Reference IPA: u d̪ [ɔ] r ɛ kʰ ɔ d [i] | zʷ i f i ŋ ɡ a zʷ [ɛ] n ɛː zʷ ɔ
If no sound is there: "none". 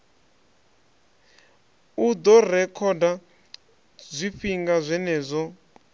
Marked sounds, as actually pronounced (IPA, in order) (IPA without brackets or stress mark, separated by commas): ɔ, a, ɛ